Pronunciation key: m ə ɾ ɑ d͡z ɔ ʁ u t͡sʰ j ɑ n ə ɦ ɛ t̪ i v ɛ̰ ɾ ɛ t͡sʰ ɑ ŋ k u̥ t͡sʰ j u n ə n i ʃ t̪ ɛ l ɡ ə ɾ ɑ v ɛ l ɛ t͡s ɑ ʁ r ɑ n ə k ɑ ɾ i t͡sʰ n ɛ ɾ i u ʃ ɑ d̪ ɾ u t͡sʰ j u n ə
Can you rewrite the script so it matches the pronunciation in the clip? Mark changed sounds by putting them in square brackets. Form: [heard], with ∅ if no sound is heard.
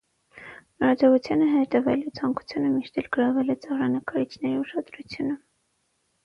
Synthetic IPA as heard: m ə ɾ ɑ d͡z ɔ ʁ u t͡sʰ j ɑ n ə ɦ ɛ t̪ [ɛ] v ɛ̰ [l] ɛ t͡sʰ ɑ ŋ k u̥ t͡sʰ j u n ə [m] i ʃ t̪ ɛ l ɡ ə ɾ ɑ v ɛ l ɛ t͡s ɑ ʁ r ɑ n ə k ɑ ɾ i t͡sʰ n ɛ ɾ i u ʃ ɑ d̪ ɾ u t͡sʰ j u n ə